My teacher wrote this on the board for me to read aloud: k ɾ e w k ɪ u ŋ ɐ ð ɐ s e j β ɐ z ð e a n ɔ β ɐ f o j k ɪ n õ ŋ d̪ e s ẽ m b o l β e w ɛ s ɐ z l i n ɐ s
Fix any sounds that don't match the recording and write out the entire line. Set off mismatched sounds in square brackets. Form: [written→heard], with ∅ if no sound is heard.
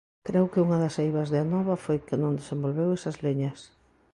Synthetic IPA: k ɾ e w k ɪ u ŋ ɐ ð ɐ s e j β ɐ z ð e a n ɔ β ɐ f o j k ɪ n õ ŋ d̪ e s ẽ m b o l β e w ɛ s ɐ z l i [n→ɲ] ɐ s

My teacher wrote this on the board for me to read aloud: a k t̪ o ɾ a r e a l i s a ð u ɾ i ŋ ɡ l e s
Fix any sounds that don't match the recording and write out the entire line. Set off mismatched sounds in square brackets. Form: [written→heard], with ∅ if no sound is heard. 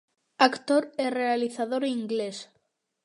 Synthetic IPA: a k t̪ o ɾ [a→e] r e a l i [s→θ] a ð [u→o] ɾ i ŋ ɡ l e s

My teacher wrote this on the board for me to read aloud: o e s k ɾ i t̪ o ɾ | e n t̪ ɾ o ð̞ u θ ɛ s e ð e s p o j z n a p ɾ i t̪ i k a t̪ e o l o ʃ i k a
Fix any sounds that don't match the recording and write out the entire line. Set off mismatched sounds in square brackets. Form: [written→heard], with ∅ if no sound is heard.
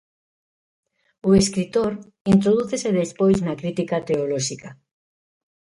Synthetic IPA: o e s k ɾ i t̪ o ɾ | [e→i] n t̪ ɾ o ð̞ u θ [ɛ→e] s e ð e s p o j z n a [p→k] ɾ i t̪ i k a t̪ e o l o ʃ i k a

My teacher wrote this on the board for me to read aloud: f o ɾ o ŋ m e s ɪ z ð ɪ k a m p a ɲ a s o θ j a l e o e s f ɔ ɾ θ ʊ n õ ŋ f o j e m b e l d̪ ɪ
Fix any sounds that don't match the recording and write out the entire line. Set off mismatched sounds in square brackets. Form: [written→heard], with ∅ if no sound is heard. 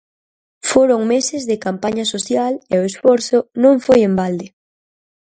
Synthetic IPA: f o ɾ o ŋ m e s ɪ z ð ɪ k a m p a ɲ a s o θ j a l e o e s f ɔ ɾ θ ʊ n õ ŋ f o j e m b [e→a] l d̪ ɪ

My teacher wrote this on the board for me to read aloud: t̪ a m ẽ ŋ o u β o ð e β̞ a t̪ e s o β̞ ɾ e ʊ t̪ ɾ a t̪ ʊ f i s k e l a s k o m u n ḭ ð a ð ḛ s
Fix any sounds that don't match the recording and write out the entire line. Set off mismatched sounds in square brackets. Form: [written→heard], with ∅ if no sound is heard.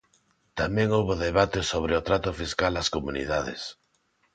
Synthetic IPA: t̪ a m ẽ ŋ o [u→w] β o ð e β̞ a t̪ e s o β̞ ɾ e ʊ t̪ ɾ a t̪ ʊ f i s k [e→a] l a s k o m u n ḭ ð a ð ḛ s

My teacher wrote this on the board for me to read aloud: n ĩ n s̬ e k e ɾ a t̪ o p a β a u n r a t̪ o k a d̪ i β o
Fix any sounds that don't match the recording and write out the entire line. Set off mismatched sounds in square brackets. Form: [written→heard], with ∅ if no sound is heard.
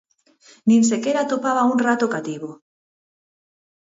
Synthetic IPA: n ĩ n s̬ e k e ɾ a t̪ o p a β a u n r a t̪ o k a [d̪→t̪] i β o

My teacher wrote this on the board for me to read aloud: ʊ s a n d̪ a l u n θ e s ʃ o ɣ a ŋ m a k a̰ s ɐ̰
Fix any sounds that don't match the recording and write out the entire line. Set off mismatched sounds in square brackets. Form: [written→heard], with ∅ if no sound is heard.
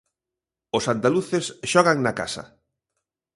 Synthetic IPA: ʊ s a n d̪ a l u [n→∅] θ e s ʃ [o→ɔ] ɣ a ŋ [m→n] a k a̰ s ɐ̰

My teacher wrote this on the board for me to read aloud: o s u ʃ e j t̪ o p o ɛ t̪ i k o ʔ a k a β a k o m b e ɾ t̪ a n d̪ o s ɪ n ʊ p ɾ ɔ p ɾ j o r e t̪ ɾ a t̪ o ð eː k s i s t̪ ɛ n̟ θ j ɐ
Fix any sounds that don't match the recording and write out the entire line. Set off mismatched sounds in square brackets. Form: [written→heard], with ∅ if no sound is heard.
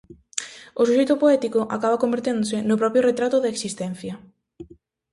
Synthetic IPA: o s u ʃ e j t̪ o p o ɛ t̪ i k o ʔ a k a β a k o m b e ɾ t̪ [a→e] n d̪ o s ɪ n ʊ p ɾ ɔ p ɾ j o r e t̪ ɾ a t̪ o ð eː k s i s t̪ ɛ n̟ θ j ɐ

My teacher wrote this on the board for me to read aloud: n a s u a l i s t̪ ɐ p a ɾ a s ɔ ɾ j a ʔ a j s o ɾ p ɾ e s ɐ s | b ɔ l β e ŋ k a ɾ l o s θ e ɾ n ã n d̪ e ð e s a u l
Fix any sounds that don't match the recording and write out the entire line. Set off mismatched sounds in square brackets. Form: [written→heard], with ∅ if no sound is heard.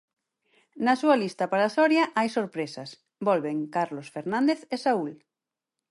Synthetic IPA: n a s u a l i s t̪ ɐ p a ɾ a s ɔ ɾ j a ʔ a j s o ɾ p ɾ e s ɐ s | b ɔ l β e ŋ k a ɾ l o s [θ→f] e ɾ n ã n d̪ e [ð→θ] e s a u l

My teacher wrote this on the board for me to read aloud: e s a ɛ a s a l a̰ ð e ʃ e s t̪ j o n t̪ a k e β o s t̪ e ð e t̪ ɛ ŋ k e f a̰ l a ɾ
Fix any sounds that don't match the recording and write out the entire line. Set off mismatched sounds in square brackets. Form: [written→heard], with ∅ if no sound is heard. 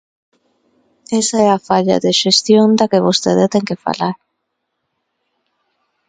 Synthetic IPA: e s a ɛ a [s→f] a [l→ʎ] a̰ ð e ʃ e s t̪ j o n [t̪→d̪] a k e β o s t̪ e ð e t̪ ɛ ŋ k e f a̰ l a ɾ

